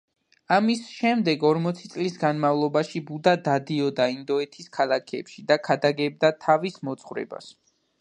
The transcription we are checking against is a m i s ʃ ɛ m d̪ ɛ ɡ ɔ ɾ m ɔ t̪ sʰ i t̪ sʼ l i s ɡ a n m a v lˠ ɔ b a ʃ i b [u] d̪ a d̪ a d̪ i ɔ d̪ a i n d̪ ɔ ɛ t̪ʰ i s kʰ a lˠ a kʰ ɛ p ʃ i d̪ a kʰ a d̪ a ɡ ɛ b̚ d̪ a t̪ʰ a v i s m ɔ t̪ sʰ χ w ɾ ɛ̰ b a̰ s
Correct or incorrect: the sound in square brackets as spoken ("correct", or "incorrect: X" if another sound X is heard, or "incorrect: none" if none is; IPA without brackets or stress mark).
correct